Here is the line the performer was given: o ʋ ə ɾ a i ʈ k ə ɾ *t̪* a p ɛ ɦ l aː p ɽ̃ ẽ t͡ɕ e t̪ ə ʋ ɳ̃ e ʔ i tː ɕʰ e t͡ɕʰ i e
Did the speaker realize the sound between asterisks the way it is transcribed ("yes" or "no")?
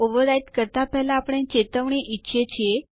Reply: yes